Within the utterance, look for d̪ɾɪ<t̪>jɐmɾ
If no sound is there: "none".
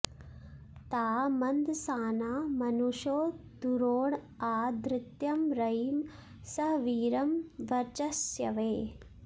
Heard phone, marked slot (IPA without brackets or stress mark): t̪